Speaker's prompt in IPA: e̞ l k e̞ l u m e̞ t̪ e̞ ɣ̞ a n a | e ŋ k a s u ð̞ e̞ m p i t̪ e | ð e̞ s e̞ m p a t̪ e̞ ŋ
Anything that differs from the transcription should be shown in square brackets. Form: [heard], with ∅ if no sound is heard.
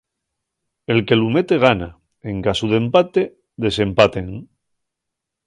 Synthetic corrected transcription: e̞ l k e̞ l u m e̞ t̪ e̞ ɣ̞ a n a | e ŋ k a s u ð̞ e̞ m p [a] t̪ e | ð e̞ s e̞ m p a t̪ e̞ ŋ